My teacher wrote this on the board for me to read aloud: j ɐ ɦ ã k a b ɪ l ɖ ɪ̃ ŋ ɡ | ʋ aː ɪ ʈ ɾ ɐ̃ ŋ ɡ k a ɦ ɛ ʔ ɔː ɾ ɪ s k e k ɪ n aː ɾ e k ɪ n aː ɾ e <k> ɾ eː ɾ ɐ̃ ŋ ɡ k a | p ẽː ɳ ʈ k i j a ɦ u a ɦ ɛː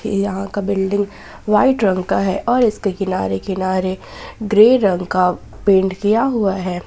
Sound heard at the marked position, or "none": ɡ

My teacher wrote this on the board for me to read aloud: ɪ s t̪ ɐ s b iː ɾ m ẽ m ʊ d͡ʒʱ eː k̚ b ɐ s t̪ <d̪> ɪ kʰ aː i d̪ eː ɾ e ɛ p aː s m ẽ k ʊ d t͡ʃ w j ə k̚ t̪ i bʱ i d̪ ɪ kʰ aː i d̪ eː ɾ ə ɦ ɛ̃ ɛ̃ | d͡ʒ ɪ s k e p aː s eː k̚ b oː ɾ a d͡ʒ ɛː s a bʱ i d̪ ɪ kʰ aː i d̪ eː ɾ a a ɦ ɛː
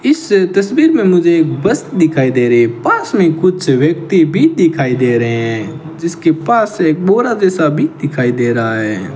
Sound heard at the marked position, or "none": d̪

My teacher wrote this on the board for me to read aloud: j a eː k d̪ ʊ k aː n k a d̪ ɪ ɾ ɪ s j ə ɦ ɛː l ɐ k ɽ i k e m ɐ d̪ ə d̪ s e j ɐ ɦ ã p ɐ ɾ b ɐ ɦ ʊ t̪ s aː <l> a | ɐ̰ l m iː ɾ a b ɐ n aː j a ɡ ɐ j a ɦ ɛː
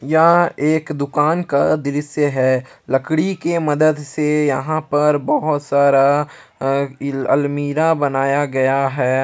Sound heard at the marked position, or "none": ɾ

